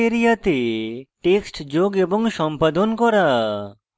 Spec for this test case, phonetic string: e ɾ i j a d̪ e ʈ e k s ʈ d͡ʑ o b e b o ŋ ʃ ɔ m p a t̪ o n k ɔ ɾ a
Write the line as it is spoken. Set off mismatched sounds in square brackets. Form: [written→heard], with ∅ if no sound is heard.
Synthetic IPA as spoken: e ɾ i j a [d̪→t̪] e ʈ e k s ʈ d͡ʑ o [b→ɡ] e b o ŋ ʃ ɔ m p a [t̪→d̪] o n k ɔ ɾ a